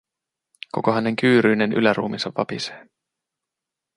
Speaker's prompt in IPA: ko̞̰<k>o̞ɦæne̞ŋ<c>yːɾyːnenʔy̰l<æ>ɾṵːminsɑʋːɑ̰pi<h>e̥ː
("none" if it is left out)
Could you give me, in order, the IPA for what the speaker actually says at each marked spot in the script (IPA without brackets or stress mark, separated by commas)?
k, k, æ, s